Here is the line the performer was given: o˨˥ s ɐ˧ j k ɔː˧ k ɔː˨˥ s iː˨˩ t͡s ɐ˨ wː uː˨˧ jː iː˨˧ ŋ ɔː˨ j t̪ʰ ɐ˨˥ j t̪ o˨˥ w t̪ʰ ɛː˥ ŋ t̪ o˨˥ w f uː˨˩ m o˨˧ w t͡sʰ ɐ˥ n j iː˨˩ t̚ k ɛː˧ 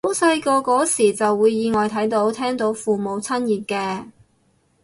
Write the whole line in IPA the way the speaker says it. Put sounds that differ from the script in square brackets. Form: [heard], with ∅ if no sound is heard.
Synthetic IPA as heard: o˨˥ s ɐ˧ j k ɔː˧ k ɔː˨˥ s iː˨˩ t͡s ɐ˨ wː uː˨˧ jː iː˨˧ ŋ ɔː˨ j t̪ʰ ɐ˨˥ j t̪ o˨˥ w t̪ʰ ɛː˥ ŋ t̪ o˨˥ w f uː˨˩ m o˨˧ w t͡sʰ ɐ˥ n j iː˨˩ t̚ k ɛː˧